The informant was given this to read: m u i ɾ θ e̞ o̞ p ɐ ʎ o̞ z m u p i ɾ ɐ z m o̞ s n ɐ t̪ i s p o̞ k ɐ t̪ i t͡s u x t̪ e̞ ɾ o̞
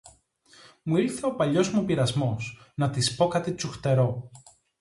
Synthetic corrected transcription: m u i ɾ θ e̞ o̞ p ɐ ʎ o̞ z m u p i ɾ ɐ z m o̞ s n ɐ t̪ i s p o̞ k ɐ t̪ i t͡s u x t̪ e̞ ɾ o̞

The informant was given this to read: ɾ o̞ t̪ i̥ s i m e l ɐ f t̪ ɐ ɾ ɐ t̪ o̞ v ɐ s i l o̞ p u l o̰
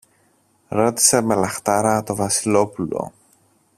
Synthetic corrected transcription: ɾ o̞ t̪ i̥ s e m e l ɐ x t̪ ɐ ɾ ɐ t̪ o̞ v ɐ s i l o̞ p u l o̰

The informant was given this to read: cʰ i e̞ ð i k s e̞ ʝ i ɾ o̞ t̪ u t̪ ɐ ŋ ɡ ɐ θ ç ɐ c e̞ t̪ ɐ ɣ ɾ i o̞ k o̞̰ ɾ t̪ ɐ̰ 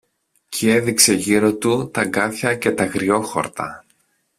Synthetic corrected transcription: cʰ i e̞ ð i k s e̞ ʝ i ɾ o̞ t̪ u t̪ ɐ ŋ ɡ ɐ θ ç ɐ c e̞ t̪ ɐ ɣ ɾ i o̞ x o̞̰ ɾ t̪ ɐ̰

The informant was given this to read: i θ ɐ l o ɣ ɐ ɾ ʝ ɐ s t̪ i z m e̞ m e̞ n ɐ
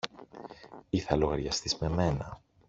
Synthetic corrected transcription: i θ ɐ l o ɣ ɐ ɾ ʝ ɐ s t̪ i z m e̞ m e̞ n ɐ

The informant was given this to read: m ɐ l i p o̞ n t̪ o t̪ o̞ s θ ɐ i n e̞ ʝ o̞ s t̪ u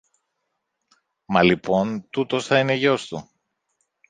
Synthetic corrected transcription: m ɐ l i p o̞ n t̪ u t̪ o̞ s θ ɐ i n e̞ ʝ o̞ s t̪ u

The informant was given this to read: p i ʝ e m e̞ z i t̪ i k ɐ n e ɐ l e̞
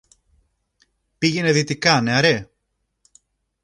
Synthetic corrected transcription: p i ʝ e n e̞ ð i t̪ i k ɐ n e ɐ ɾ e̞

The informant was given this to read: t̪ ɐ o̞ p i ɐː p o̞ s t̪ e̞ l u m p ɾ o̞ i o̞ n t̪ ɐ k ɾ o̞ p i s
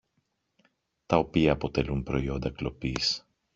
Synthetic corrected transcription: t̪ ɐ o̞ p i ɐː p o̞ t̪ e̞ l u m p ɾ o̞ i o̞ n d̪ ɐ k l o̞ p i s

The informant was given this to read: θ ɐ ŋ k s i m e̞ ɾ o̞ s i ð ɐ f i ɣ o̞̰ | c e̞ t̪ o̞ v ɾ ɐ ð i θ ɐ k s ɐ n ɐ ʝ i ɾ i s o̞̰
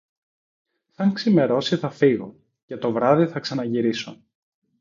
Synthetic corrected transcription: θ ɐ ŋ k s i m e̞ ɾ o̞ s i θ ɐ f i ɣ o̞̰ | c e̞ t̪ o̞ v ɾ ɐ ð i θ ɐ k s ɐ n ɐ ʝ i ɾ i s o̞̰

